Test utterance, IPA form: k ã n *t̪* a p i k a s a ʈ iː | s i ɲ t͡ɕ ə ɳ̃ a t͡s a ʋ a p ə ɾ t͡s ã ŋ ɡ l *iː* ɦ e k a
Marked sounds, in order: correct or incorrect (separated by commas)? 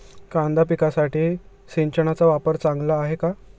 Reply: incorrect, incorrect